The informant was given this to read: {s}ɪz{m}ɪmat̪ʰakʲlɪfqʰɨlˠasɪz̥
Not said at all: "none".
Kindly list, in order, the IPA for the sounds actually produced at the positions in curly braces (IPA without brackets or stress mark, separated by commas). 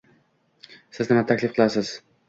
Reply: s, n